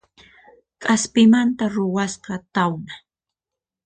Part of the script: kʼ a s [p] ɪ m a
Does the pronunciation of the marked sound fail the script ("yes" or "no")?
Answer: no